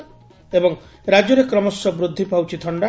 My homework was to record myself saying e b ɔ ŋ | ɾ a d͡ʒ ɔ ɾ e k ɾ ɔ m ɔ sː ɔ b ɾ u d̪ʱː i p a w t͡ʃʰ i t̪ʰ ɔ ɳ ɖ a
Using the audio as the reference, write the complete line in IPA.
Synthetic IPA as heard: e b ɔ ŋ | ɾ a d͡ʒ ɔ ɾ e k ɾ ɔ m ɔ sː ɔ b ɾ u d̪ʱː i p a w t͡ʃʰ i t̪ʰ ɔ ɳ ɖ a